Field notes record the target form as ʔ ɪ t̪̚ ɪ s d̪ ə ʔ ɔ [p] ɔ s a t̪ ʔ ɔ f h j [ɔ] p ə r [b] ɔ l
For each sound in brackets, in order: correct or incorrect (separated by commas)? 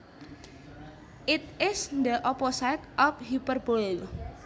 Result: correct, incorrect, correct